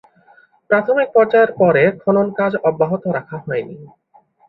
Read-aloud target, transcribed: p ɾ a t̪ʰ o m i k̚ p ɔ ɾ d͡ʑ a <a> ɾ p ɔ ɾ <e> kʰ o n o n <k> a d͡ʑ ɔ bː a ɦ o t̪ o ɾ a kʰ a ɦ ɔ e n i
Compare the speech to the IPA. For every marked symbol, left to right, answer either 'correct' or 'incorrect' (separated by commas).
incorrect, correct, correct